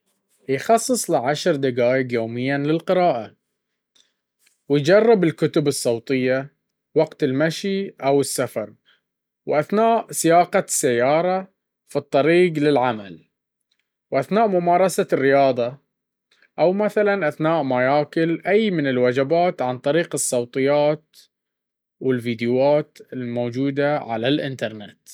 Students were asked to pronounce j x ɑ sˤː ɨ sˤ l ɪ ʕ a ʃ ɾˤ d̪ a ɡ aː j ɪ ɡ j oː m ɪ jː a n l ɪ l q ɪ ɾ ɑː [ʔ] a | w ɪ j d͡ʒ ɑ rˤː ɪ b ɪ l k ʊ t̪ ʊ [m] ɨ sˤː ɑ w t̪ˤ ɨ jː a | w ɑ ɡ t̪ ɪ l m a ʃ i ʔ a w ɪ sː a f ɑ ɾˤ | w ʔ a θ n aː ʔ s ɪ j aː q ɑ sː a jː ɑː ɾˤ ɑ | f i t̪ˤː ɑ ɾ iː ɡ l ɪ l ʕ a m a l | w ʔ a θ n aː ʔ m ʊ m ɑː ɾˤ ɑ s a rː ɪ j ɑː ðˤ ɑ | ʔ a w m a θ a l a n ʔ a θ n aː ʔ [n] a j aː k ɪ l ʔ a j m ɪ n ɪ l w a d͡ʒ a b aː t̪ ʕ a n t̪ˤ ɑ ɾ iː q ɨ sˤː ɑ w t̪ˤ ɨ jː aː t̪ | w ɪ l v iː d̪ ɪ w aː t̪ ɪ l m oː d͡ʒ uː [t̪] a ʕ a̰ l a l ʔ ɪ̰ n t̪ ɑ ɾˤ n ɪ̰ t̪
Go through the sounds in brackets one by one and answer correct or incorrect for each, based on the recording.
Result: correct, incorrect, incorrect, incorrect

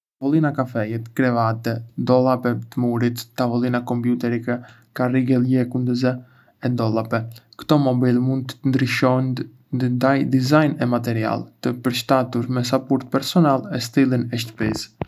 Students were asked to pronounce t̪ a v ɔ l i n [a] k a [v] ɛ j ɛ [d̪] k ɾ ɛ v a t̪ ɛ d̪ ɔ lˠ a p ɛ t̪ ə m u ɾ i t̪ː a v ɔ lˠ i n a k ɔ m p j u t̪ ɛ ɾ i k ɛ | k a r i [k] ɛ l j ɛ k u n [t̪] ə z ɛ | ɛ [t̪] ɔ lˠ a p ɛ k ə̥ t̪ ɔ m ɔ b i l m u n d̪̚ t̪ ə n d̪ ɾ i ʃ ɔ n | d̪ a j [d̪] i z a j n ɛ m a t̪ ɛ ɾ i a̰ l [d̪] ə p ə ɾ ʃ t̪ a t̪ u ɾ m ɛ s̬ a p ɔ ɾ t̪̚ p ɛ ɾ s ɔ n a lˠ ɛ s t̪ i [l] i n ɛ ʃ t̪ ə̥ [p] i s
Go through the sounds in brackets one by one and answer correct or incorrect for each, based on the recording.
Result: correct, incorrect, incorrect, incorrect, incorrect, incorrect, correct, incorrect, correct, correct

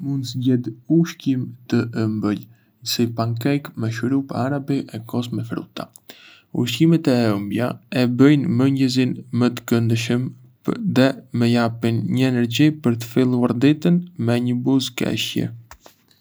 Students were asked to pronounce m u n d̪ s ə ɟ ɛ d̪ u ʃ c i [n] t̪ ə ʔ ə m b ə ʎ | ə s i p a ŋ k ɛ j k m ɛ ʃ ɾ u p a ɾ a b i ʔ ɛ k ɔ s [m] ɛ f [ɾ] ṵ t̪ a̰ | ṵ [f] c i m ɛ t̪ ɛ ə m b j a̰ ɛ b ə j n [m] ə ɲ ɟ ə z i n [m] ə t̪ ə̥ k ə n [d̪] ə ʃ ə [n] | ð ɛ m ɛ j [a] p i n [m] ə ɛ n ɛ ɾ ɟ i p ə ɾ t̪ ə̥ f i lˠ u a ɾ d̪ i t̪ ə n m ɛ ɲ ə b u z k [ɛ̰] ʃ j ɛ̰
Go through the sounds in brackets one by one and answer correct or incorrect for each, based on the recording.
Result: incorrect, correct, correct, incorrect, correct, correct, correct, incorrect, correct, incorrect, correct

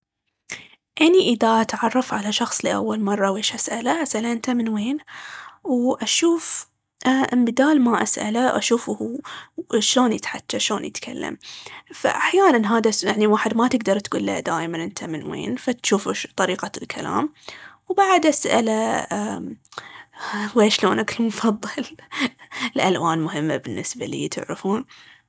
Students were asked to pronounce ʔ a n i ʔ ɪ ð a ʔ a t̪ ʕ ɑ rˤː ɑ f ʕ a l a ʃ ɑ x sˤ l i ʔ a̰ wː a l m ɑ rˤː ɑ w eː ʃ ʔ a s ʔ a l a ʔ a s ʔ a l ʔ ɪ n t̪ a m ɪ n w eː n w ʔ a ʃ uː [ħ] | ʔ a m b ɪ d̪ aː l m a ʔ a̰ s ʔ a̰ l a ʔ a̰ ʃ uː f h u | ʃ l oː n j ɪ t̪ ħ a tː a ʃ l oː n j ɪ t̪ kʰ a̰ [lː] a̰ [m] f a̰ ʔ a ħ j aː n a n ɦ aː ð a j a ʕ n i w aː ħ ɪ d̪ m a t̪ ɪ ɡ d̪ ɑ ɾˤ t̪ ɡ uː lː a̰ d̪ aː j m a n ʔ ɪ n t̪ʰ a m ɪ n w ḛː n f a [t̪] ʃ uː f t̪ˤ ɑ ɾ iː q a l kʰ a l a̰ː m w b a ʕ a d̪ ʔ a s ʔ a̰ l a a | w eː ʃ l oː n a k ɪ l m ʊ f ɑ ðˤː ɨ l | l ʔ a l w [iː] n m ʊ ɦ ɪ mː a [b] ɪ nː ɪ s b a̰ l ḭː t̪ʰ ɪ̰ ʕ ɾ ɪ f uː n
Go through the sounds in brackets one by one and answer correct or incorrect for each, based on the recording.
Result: incorrect, correct, correct, correct, incorrect, correct

